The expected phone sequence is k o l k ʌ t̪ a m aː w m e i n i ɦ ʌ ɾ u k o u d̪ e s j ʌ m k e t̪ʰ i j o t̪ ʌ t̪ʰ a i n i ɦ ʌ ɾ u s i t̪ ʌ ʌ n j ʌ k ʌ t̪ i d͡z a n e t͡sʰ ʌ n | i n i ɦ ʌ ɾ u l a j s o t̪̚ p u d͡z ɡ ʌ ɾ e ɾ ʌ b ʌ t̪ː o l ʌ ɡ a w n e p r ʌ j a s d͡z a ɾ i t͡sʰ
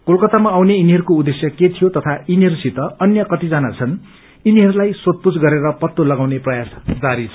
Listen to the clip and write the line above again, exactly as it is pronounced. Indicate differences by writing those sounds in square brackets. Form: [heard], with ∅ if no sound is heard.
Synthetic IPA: k o l k ʌ t̪ a m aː w [n] e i n i ɦ ʌ ɾ u k o u d̪ e s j ʌ [∅] k e t̪ʰ i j o t̪ ʌ t̪ʰ a i n i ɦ ʌ ɾ u s i t̪ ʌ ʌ n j ʌ k ʌ t̪ i d͡z a n [a] t͡sʰ ʌ n | i n i ɦ ʌ ɾ u l a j s o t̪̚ p u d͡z ɡ ʌ ɾ e ɾ ʌ [p] ʌ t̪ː o l ʌ ɡ a w n e p r ʌ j a s d͡z a ɾ i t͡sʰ